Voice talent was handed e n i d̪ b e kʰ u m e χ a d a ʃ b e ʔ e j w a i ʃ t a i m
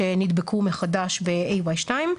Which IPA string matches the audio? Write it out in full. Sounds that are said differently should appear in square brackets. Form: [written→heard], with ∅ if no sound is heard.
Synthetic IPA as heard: e n i d̪ b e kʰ u m e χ a d a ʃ b e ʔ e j w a [i→j] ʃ t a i m